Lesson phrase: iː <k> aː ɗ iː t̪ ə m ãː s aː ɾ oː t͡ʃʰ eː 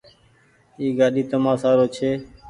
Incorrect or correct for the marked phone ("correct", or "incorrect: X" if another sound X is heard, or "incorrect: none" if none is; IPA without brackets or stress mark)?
incorrect: ɡ